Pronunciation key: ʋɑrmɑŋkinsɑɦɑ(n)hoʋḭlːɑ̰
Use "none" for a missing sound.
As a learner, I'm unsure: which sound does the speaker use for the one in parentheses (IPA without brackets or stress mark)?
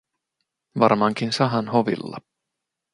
n